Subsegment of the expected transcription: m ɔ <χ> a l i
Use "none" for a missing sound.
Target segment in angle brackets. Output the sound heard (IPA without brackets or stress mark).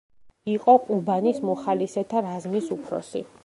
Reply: χ